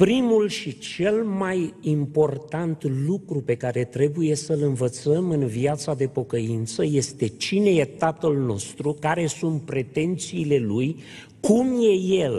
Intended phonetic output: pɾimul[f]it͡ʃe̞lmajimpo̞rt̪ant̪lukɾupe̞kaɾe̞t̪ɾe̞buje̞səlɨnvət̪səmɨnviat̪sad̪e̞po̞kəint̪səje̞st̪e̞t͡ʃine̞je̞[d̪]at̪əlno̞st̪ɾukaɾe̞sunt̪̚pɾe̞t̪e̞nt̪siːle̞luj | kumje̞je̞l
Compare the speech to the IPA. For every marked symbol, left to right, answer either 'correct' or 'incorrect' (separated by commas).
incorrect, incorrect